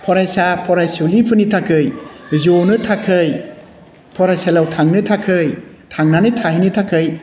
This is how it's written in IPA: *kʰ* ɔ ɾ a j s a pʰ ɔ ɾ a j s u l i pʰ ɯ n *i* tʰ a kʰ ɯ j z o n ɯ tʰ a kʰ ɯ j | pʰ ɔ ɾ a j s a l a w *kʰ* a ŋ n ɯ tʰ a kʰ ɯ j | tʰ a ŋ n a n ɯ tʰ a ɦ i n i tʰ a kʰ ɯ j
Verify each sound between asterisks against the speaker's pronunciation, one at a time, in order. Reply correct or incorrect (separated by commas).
incorrect, correct, incorrect